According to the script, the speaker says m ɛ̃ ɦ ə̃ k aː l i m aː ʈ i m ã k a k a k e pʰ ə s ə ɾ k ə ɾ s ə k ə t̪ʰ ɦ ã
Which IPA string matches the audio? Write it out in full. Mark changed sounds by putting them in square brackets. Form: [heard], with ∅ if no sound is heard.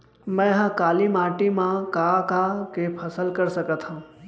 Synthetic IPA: m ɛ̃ ɦ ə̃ k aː l i m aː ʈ i m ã k a k a k e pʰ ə s ə [l] k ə ɾ s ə k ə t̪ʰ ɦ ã